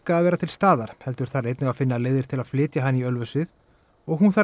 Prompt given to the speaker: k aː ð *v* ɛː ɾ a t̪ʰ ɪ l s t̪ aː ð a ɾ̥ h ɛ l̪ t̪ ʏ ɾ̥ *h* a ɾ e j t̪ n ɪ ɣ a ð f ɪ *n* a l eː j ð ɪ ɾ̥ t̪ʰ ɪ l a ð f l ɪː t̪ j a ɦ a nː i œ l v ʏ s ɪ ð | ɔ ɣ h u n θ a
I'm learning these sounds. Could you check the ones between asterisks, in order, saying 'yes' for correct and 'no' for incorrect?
yes, no, no

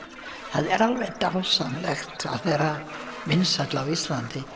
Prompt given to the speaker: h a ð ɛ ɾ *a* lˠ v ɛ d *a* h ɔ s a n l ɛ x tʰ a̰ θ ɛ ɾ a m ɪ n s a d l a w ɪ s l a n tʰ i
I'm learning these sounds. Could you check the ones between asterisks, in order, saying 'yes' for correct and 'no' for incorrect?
yes, yes

